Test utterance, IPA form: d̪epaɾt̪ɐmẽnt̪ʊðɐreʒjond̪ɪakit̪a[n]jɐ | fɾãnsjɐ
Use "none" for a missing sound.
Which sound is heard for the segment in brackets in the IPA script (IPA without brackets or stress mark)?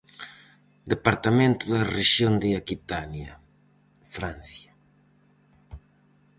n